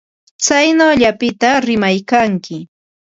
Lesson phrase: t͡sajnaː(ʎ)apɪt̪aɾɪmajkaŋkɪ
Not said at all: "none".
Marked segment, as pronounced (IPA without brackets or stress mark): ʎ